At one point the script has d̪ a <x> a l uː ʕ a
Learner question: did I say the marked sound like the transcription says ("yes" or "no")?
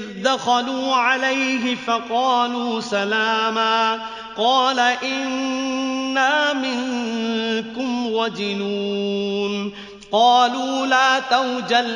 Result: yes